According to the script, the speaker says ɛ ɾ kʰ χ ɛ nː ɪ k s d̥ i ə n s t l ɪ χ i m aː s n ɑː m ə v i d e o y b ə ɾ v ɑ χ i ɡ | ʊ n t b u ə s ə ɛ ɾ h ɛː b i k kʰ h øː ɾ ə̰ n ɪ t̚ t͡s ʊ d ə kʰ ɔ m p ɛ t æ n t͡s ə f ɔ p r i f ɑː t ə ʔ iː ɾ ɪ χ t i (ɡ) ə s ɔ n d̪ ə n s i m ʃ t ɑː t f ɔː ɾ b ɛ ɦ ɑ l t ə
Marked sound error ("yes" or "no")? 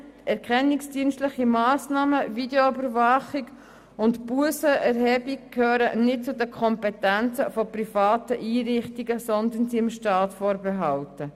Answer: no